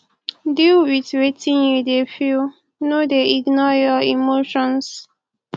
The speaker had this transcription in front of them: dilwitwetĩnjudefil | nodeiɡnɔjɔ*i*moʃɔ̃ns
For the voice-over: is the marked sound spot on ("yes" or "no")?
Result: yes